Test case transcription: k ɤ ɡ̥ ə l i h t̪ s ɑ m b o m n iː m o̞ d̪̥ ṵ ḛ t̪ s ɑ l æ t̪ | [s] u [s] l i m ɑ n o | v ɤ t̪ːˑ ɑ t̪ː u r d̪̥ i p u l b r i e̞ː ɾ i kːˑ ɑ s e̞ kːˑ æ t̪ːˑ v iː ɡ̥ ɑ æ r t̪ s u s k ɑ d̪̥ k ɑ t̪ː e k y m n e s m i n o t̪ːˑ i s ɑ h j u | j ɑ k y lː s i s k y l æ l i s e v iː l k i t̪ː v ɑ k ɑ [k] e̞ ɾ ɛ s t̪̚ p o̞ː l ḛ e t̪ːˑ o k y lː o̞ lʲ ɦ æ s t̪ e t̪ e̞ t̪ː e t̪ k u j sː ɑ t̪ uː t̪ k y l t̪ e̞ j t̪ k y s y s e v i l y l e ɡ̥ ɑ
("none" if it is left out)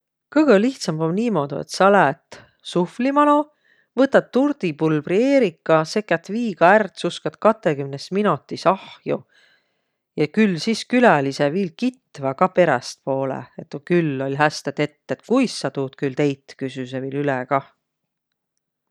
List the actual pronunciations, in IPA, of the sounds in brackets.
s, f, p

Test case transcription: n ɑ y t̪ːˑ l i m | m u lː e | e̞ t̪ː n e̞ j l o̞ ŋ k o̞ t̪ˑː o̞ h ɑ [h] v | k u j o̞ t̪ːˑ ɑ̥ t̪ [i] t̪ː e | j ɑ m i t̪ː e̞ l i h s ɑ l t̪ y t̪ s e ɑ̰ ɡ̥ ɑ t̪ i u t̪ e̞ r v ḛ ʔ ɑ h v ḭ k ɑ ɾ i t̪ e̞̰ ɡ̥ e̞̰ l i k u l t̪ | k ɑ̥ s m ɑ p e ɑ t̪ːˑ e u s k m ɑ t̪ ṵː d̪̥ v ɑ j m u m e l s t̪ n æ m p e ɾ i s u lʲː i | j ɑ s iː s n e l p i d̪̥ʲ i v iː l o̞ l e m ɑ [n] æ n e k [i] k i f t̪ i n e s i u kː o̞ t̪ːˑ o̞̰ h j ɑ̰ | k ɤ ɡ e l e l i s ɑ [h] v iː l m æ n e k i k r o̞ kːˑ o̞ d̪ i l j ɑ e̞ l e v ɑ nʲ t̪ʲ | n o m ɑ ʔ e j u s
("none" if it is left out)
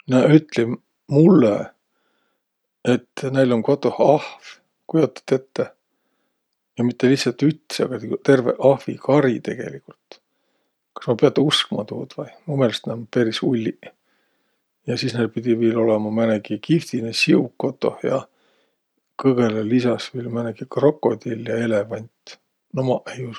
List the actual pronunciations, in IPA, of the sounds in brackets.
h, e, m, i, s

